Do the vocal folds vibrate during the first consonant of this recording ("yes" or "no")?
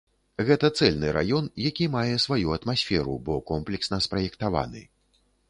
yes